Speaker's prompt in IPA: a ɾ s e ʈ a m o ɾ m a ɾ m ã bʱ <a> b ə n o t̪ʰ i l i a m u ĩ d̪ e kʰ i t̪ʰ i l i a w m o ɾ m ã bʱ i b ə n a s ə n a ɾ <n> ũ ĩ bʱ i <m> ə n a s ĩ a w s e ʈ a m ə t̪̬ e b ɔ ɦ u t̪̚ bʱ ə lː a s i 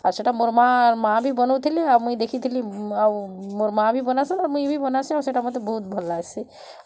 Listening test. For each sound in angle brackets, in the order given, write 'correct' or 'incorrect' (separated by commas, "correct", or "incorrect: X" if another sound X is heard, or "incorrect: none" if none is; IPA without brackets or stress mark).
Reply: incorrect: i, incorrect: m, incorrect: b